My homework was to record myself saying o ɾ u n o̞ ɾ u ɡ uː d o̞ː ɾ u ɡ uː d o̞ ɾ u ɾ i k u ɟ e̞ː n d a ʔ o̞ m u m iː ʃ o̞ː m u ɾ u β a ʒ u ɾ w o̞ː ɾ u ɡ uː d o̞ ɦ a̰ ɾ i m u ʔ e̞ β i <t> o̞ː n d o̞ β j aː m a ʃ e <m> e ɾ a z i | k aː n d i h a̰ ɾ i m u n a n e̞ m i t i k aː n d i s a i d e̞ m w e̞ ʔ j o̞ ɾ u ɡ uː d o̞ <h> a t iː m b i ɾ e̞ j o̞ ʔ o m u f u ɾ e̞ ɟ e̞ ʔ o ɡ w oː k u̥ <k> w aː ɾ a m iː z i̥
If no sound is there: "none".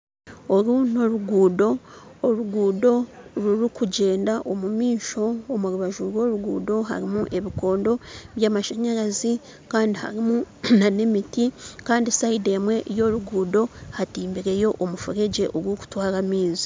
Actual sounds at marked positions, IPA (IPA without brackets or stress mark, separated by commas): k, ɲ, h, t